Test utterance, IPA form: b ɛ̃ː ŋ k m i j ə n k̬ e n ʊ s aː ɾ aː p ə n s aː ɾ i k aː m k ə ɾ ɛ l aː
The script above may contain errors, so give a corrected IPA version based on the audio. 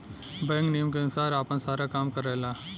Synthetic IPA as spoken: b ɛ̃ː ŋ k n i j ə m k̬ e n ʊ s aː ɾ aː p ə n s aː ɾ a k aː m k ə ɾ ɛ l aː